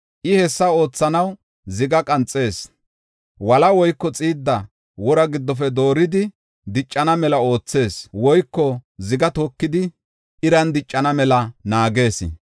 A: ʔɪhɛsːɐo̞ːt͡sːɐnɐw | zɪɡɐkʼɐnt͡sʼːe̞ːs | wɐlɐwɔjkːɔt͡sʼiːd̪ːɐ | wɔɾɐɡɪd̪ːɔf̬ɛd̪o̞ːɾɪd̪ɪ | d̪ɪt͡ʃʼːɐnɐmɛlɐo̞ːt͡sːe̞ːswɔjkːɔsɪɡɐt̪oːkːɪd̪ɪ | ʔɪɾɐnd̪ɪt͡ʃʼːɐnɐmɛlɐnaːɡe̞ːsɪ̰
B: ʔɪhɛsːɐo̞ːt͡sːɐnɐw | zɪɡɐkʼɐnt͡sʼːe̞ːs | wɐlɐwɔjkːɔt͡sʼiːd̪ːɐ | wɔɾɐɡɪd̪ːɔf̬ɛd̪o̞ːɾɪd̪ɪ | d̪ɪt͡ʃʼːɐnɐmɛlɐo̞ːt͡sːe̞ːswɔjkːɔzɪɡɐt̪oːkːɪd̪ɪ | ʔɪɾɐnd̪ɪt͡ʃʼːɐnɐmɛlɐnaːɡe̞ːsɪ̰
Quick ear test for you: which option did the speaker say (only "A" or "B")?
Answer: B